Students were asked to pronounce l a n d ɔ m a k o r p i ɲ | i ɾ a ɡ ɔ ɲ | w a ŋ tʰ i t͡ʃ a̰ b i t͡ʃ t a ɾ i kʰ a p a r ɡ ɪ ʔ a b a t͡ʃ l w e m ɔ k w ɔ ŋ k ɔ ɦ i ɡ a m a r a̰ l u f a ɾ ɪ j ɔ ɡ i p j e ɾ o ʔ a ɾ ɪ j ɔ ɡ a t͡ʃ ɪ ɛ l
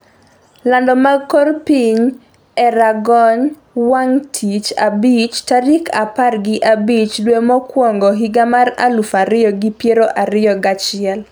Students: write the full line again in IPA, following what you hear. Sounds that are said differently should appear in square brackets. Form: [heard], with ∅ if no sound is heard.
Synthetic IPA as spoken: l a n d ɔ m a k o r p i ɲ | [ɛ] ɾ a ɡ ɔ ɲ | w a ŋ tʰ i t͡ʃ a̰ b i t͡ʃ t a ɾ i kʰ a p a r ɡ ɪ ʔ a b [i] t͡ʃ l w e m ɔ k w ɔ ŋ [ɡ] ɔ ɦ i ɡ a m a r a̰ l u f a ɾ ɪ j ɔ ɡ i p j e ɾ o ʔ a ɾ ɪ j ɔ ɡ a t͡ʃ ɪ ɛ l